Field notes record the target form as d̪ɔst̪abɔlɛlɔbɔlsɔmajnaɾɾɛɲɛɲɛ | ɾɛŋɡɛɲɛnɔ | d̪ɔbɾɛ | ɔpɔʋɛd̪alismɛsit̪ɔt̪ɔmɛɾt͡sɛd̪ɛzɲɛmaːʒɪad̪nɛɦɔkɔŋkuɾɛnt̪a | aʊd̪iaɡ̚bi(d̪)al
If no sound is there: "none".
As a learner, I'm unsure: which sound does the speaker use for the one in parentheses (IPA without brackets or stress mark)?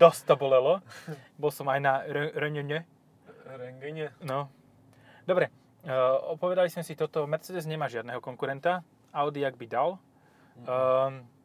d̪